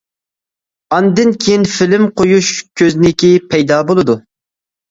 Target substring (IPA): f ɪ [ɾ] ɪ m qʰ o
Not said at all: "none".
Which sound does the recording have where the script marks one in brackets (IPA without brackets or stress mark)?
l